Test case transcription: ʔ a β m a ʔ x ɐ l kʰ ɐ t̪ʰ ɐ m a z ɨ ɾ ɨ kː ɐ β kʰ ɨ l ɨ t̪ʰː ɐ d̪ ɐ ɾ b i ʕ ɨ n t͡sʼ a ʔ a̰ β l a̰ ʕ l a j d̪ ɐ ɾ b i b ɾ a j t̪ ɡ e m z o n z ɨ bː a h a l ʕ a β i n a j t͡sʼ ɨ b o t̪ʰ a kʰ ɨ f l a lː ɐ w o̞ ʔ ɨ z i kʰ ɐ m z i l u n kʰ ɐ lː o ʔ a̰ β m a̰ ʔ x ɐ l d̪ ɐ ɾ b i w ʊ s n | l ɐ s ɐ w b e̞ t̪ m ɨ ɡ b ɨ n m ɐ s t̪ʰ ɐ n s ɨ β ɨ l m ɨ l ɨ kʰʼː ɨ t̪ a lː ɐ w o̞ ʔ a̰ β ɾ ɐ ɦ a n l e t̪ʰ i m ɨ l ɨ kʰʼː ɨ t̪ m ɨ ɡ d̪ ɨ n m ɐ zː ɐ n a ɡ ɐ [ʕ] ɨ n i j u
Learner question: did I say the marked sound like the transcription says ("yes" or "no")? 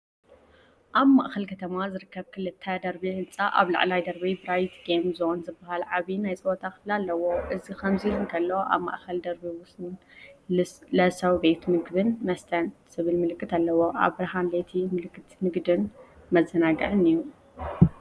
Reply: yes